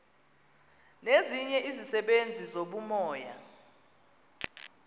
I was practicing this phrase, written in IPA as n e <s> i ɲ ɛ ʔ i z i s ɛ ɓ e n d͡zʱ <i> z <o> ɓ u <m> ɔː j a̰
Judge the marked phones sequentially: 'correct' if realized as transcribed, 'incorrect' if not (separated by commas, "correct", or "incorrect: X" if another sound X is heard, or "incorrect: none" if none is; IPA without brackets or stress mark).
incorrect: z, correct, correct, correct